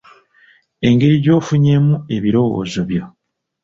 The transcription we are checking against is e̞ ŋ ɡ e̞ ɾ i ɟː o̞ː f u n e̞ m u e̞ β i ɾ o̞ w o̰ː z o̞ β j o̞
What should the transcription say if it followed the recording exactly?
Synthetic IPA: e̞ ŋ ɡ e̞ ɾ i ɟ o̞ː f u ɲ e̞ m u e̞ β i ɾ o̞ w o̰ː z o̞ β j o̞